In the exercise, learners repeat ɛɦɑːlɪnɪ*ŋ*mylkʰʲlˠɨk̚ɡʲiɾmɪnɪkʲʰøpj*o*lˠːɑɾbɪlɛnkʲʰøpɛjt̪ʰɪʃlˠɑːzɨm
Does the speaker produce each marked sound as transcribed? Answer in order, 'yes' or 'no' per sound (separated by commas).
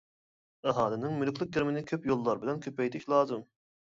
yes, yes